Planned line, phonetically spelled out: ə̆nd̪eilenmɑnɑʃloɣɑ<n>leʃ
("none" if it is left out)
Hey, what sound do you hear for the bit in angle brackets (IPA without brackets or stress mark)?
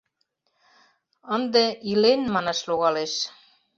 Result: none